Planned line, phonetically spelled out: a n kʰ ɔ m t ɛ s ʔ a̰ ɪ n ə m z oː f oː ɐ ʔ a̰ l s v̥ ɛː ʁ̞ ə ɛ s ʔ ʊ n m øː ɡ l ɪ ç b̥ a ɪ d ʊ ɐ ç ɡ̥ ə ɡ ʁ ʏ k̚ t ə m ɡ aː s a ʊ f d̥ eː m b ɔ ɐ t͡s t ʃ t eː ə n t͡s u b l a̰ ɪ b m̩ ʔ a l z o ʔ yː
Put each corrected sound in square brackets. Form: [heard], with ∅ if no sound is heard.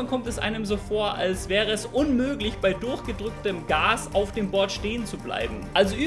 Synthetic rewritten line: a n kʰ ɔ m t ɛ s ʔ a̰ ɪ n ə m z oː f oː ɐ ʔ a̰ l s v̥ ɛː ʁ̞ ə ɛ s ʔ ʊ n m øː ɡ l ɪ ç b̥ a ɪ d ʊ ɐ ç ɡ̥ ə [d] ʁ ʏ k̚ t ə m ɡ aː s a ʊ f d̥ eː m b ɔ ɐ [∅] t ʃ t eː ə n t͡s u b l a̰ ɪ b m̩ ʔ a l z o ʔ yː